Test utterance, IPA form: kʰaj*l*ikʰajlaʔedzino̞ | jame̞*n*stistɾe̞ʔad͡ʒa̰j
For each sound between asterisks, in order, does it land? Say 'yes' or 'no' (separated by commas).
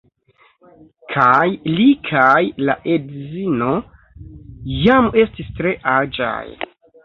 yes, no